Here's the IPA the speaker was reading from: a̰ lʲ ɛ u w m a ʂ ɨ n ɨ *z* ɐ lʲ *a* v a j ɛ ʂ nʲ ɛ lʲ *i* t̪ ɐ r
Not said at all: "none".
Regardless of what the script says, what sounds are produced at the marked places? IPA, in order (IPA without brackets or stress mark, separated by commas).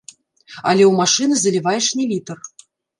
z, i, i